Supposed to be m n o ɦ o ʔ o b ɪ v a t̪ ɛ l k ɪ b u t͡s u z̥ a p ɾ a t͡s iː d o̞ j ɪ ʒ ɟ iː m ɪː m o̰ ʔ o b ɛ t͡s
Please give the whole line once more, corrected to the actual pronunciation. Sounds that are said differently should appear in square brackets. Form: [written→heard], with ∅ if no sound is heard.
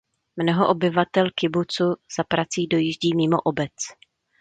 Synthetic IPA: m n o ɦ o ʔ o b ɪ v a t̪ ɛ l k ɪ b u t͡s u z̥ a p ɾ a t͡s iː d o̞ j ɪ ʒ ɟ iː m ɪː m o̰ ʔ o b ɛ t͡s